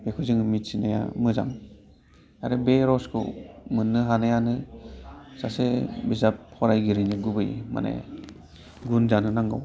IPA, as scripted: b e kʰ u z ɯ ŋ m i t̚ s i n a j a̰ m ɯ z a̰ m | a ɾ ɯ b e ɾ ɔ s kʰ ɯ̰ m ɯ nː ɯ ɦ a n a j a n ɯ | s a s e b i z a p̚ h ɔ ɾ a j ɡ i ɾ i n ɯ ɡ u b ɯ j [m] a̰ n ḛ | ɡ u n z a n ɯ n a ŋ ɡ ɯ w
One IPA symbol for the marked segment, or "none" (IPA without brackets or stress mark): m